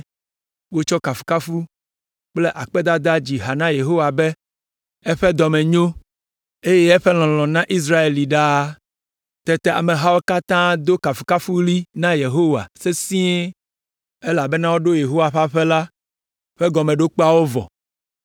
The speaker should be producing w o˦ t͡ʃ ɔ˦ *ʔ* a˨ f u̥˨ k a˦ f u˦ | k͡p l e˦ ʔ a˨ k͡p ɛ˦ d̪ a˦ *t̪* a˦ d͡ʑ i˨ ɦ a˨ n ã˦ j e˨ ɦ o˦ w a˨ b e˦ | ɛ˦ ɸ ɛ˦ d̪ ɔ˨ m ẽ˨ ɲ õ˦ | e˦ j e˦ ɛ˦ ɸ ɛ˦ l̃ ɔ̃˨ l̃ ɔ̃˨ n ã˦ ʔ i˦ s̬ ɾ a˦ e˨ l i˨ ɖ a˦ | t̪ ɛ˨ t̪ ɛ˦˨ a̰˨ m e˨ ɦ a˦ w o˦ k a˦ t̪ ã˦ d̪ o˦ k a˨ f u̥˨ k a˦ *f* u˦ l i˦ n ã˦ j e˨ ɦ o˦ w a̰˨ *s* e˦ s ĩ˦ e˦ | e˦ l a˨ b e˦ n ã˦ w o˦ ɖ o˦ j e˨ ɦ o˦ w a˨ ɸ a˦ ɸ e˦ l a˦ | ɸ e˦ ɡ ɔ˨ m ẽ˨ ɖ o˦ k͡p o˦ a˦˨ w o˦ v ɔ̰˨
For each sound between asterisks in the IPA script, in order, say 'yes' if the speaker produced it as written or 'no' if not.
no, no, yes, yes

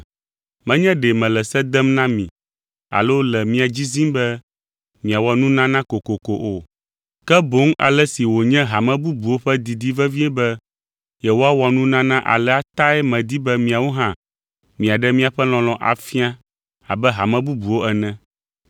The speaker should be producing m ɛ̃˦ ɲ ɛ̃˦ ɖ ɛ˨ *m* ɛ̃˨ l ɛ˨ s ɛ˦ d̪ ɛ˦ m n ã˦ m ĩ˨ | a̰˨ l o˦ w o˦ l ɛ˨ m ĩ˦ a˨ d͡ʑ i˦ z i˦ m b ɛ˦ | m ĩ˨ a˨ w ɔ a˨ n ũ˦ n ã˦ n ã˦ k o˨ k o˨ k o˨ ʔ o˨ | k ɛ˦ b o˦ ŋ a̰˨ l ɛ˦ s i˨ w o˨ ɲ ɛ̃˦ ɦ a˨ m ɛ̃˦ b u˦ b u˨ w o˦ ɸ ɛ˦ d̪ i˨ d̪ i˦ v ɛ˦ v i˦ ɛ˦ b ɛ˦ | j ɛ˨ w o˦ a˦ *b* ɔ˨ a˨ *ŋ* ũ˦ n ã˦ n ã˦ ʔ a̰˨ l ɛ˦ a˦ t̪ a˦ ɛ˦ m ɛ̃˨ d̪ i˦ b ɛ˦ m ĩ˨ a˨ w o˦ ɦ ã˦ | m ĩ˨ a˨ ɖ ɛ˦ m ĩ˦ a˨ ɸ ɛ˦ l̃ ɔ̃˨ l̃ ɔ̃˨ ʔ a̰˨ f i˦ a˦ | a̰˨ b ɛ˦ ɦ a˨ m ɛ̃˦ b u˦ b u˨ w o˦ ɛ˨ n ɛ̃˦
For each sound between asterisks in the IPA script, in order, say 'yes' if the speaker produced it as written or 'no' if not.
yes, no, no

